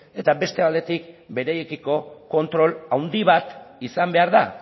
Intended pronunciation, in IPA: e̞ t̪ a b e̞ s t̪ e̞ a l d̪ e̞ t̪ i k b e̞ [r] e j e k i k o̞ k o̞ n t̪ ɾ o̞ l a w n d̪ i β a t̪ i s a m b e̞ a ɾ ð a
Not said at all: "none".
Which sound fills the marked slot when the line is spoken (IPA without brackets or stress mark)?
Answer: ɾ